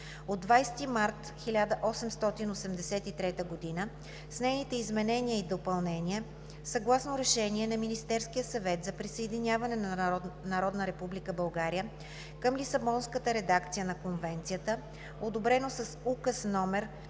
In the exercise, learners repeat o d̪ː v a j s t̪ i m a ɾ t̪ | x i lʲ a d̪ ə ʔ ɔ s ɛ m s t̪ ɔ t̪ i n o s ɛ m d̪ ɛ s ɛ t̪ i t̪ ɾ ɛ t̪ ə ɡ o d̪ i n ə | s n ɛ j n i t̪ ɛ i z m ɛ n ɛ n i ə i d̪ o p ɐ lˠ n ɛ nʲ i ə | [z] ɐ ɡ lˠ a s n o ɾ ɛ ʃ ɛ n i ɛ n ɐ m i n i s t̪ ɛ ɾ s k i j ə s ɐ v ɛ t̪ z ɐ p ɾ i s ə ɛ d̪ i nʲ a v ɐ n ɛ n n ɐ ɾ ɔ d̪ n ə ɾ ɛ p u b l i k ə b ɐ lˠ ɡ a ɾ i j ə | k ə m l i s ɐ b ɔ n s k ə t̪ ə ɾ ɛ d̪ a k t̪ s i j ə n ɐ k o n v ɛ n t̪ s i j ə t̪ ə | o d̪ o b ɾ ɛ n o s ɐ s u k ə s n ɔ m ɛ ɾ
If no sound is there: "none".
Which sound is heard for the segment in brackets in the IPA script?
s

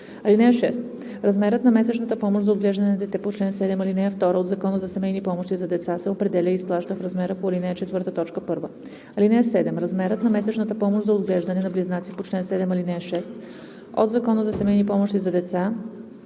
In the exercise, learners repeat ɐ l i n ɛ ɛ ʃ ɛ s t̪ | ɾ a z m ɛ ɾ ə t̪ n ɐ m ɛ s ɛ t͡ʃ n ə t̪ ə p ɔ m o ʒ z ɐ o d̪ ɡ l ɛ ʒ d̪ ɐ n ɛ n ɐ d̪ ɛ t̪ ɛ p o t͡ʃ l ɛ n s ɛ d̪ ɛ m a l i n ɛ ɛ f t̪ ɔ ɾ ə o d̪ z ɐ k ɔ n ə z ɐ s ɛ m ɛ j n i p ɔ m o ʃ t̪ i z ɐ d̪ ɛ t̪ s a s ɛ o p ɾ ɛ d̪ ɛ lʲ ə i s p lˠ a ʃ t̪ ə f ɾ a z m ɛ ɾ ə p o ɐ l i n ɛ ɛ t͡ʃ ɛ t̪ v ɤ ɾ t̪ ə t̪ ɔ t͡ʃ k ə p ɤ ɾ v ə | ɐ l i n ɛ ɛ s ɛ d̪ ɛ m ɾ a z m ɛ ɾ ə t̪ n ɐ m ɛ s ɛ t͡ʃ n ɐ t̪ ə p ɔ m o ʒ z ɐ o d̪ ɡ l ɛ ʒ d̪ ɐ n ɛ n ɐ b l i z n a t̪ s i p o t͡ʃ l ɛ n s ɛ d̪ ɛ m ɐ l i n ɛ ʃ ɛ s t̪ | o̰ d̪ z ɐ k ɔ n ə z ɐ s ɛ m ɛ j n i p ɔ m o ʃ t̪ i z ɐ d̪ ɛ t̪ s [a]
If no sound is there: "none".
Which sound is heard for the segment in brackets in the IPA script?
a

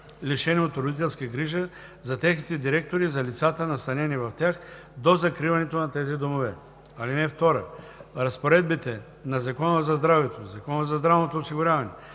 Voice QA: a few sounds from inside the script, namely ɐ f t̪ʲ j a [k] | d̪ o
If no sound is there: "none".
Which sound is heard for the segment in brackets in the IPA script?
x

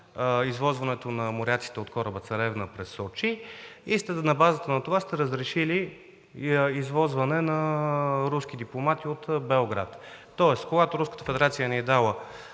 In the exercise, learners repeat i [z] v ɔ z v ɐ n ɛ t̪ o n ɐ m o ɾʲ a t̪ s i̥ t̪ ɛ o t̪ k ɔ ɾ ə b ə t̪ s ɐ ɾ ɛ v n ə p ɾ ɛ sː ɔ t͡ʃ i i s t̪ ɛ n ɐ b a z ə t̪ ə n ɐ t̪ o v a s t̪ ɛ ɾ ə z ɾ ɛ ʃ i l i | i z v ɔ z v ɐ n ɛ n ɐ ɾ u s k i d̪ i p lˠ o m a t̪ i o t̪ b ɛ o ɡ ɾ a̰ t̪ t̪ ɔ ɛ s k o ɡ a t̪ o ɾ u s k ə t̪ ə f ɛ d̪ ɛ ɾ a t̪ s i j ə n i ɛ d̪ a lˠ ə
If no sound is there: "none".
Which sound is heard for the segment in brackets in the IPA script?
z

